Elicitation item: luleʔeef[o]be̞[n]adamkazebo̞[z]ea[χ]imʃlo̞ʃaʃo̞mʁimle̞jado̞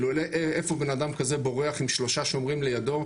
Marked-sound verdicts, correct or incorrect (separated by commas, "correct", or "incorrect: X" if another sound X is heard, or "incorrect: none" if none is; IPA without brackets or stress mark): correct, correct, incorrect: ʁ, correct